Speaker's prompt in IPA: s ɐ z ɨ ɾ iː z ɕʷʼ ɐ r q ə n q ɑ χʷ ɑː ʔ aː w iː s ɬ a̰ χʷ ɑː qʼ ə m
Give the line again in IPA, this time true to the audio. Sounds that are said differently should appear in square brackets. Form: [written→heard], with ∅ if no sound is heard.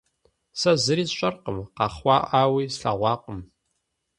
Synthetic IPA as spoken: s ɐ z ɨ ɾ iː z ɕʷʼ ɐ r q ə [n→m] q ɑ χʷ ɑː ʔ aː w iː s ɬ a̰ [χʷ→ʁʷ] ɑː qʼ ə m

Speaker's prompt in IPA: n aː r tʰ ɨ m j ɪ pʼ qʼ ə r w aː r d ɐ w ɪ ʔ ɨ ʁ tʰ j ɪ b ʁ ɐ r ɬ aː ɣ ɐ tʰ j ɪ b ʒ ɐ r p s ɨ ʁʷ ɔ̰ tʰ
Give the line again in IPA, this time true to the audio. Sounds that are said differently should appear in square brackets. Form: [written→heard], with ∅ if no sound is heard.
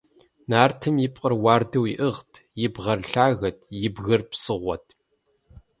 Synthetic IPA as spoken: n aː r tʰ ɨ m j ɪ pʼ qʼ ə r w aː r d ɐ w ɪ ʔ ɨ ʁ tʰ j ɪ b ʁ ɐ r ɬ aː ɣ ɐ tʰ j ɪ b [ʒ→ɣ] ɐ r p s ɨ ʁʷ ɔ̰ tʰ

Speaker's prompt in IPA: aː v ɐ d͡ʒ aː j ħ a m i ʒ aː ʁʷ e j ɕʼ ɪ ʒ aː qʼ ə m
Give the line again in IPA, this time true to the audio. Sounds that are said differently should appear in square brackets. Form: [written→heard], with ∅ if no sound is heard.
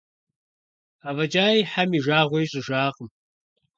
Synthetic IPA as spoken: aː v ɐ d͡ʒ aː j ħ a m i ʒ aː ʁʷ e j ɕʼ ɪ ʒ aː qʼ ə m

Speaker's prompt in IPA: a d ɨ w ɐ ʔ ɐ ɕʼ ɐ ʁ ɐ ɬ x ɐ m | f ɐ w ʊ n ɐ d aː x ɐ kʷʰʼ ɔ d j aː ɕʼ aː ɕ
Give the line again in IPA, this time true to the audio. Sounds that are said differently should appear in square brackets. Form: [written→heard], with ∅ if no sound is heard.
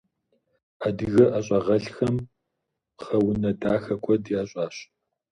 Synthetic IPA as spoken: a d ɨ [w→ɣ] ɐ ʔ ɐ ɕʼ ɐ ʁ ɐ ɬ x ɐ m | [f→χ] ɐ w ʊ n ɐ d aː x ɐ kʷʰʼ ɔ d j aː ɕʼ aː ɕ

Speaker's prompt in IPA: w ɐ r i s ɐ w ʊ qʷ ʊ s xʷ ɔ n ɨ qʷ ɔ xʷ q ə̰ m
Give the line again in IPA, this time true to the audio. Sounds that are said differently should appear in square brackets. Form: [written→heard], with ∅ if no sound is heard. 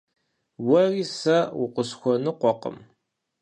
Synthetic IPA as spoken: w ɐ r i s ɐ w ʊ qʷ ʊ s xʷ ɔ n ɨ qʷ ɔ [xʷ→∅] q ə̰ m

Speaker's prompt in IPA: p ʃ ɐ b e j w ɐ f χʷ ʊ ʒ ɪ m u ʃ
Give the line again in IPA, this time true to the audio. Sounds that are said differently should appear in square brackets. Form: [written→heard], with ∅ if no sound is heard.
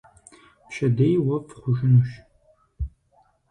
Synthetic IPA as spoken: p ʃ ɐ [b→d] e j w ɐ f χʷ ʊ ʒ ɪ [m→n] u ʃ

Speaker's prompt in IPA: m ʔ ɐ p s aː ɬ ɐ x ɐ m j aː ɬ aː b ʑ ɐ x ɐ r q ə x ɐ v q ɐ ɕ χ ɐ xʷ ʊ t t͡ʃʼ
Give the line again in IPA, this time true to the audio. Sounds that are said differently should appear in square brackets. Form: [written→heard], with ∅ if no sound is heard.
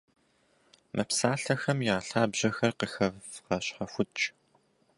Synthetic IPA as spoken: m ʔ ɐ p s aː ɬ ɐ x ɐ m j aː ɬ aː b ʑ ɐ x ɐ r q ə x ɐ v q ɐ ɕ [χ→ħ] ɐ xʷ ʊ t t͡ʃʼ

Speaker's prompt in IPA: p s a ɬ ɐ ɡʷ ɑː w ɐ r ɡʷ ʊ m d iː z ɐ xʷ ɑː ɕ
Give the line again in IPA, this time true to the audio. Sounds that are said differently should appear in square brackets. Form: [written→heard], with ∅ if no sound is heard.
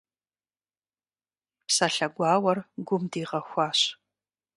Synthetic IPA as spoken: p s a ɬ ɐ ɡʷ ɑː w ɐ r ɡʷ ʊ m d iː [z→ʁ] ɐ xʷ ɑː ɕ

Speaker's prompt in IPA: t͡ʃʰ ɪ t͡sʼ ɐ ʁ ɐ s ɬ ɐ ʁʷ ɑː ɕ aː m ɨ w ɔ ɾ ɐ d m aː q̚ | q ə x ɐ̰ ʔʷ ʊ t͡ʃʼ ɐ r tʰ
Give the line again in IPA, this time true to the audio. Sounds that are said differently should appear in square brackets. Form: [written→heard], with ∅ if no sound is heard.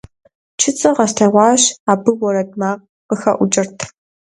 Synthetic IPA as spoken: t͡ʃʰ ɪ t͡sʼ ɐ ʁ ɐ s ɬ ɐ ʁʷ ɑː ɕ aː [m→b] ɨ w ɔ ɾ ɐ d m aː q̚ | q ə x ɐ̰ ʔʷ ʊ t͡ʃʼ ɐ r tʰ

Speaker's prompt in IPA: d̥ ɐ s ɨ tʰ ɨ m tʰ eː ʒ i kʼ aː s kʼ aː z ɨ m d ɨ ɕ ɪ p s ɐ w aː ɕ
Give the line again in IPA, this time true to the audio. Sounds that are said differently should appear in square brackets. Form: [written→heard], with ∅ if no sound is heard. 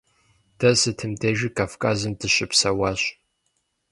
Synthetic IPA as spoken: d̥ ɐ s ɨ tʰ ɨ m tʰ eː ʒ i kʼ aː [s→f] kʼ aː z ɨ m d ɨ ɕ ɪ p s ɐ w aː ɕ

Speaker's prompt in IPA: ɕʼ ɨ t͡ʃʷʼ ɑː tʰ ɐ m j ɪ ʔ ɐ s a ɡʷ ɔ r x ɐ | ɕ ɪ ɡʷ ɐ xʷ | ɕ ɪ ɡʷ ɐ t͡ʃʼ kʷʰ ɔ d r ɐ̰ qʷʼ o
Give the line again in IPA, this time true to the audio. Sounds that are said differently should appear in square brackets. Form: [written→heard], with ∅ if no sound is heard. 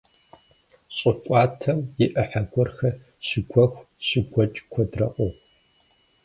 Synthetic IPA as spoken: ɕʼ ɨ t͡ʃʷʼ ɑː tʰ ɐ m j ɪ ʔ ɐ [s→ħ] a ɡʷ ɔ r x ɐ | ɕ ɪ ɡʷ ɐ xʷ | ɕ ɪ ɡʷ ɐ t͡ʃʼ kʷʰ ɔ d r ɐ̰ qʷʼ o

